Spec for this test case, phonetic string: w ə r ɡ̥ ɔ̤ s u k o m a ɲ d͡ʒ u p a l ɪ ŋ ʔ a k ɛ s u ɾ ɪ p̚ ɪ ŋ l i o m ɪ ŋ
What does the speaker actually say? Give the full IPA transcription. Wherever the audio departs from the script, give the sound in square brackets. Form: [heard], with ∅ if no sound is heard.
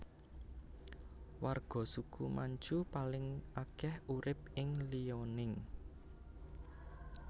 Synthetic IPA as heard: w [a] r ɡ̥ ɔ̤ s u k [u] m a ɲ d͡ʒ u p a l ɪ ŋ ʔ a k ɛ [h] u ɾ ɪ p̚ ɪ ŋ l i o [n] ɪ ŋ